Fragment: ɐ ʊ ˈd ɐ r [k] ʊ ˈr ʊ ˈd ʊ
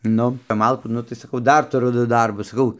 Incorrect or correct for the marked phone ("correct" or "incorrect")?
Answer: incorrect